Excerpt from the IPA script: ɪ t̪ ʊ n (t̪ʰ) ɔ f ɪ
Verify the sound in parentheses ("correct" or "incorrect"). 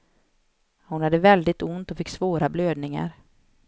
incorrect